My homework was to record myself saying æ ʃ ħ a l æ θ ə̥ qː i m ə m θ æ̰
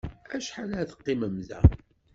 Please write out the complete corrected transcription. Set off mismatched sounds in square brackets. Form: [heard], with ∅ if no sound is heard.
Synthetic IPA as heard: æ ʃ ħ a l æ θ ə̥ qː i m ə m [ð] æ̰